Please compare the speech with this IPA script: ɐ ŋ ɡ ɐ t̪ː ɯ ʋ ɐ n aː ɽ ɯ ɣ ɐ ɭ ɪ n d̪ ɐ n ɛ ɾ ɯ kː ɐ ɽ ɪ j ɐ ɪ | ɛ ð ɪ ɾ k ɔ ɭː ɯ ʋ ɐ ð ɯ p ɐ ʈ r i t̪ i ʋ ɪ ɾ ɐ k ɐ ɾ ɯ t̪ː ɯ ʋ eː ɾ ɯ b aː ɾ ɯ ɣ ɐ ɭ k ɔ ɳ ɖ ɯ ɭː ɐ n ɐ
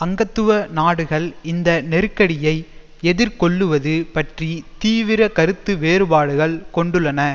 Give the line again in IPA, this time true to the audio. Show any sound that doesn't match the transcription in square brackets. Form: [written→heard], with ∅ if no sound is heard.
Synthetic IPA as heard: ɐ ŋ ɡ ɐ t̪ː ɯ ʋ ɐ n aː ɽ ɯ ɣ ɐ ɭ ɪ n d̪ ɐ n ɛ ɾ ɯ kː ɐ ɽ ɪ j ɐ ɪ | ɛ ð ɪ ɾ k ɔ ɭː ɯ ʋ ɐ ð ɯ p ɐ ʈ r i t̪ [i→iː] ʋ ɪ ɾ ɐ k ɐ ɾ ɯ t̪ː ɯ ʋ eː ɾ ɯ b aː [ɾ→ɽ] ɯ ɣ ɐ ɭ k ɔ ɳ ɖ ɯ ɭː ɐ n ɐ